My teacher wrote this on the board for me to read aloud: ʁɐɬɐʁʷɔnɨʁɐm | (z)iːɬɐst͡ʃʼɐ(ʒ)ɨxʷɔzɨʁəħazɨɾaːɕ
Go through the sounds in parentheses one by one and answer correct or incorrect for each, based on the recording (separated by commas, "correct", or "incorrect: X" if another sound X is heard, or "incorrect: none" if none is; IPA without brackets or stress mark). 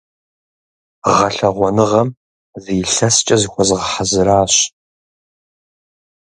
correct, incorrect: z